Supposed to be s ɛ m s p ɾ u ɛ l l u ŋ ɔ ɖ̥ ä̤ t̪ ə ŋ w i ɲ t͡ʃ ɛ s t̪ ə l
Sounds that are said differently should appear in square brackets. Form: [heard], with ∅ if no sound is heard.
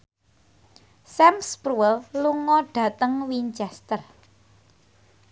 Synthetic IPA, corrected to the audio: s ɛ m s p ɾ u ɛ l l u ŋ ɔ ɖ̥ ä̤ t̪ ə ŋ w i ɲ t͡ʃ ɛ s t̪ ə [r]